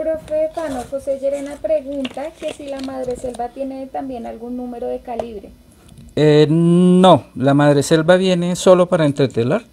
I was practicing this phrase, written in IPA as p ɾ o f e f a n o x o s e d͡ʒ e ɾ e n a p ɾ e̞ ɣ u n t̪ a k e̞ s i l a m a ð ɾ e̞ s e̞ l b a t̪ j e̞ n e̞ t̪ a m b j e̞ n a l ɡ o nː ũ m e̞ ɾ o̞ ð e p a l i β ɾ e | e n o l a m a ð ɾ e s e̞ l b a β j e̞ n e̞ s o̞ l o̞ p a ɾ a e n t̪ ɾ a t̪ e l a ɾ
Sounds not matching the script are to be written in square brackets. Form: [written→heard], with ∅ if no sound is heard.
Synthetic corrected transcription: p ɾ o f e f a n o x o s e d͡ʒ e ɾ e n a p ɾ e̞ ɣ u n t̪ a k e̞ s i l a m a ð ɾ e̞ s e̞ l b a t̪ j e̞ n e̞ t̪ a m b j e̞ n a l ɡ [o→u] nː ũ m e̞ ɾ o̞ ð e [p→k] a l i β ɾ e | e n o l a m a ð ɾ e s e̞ l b a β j e̞ n e̞ s o̞ l o̞ p a ɾ a e n t̪ ɾ [a→e] t̪ e l a ɾ